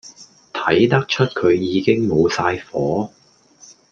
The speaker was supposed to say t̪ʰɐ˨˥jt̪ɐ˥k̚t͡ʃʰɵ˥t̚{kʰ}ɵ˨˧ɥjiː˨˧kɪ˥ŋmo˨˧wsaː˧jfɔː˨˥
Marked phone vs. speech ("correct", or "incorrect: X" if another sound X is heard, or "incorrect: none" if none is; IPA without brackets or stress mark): correct